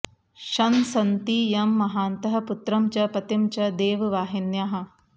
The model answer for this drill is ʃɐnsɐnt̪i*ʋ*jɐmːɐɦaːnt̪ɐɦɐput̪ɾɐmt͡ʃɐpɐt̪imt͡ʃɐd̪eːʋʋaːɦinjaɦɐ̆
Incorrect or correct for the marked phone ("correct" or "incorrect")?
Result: incorrect